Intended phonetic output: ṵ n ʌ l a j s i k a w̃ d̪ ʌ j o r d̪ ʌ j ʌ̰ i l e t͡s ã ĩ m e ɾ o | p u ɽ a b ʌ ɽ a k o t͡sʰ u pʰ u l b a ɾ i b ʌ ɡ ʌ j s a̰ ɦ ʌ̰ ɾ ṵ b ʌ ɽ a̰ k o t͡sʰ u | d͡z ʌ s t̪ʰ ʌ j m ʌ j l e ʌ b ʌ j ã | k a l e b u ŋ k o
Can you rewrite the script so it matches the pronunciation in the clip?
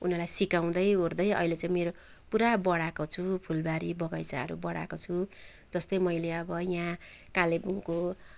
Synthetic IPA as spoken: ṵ n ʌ l a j s i k a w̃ d̪ ʌ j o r d̪ ʌ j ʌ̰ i l e t͡s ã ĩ m e ɾ o | p u ɾ a b ʌ ɽ a k o t͡sʰ u pʰ u l b a ɾ i b ʌ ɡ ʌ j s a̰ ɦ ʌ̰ ɾ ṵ b ʌ ɽ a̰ k o t͡sʰ u | d͡z ʌ s t̪ ʌ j m ʌ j l e ʌ b ʌ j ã | k a l e b u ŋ k o